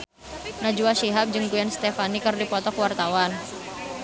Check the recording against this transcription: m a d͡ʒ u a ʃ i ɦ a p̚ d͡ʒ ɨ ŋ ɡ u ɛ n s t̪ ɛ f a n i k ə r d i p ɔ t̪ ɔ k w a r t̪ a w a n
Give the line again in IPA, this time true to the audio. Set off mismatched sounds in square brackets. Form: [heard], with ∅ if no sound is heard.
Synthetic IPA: [n] a d͡ʒ u a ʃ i ɦ a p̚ d͡ʒ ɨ ŋ ɡ u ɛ n s t̪ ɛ f a n i k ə r d i p ɔ t̪ ɔ k w a r t̪ a w a n